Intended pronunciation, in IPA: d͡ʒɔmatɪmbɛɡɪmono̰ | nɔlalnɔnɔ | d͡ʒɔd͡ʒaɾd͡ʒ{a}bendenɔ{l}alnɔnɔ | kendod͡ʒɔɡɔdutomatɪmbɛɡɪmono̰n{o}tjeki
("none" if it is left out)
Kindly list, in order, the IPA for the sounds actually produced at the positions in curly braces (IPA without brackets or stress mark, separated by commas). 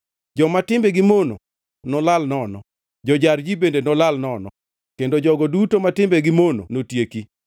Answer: i, l, o